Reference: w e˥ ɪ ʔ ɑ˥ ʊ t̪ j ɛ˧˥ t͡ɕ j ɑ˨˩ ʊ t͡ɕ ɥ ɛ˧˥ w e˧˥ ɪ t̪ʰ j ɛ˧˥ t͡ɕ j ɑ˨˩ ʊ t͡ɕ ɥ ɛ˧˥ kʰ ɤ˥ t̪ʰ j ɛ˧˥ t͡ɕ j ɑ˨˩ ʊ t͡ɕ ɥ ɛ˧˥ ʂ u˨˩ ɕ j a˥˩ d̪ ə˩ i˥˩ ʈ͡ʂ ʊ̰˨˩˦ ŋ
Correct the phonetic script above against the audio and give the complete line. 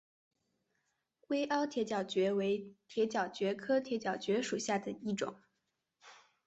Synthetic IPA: w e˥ ɪ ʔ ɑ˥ ʊ t̪ʰ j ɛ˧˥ t͡ɕ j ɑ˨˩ ʊ t͡ɕ ɥ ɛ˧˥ w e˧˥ ɪ t̪ʰ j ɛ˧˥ t͡ɕ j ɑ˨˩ ʊ t͡ɕ ɥ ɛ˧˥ kʰ ɤ˥ t̪ʰ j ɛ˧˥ t͡ɕ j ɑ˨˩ ʊ t͡ɕ ɥ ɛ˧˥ ʂ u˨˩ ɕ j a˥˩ d̪ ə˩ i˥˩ ʈ͡ʂ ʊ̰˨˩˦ ŋ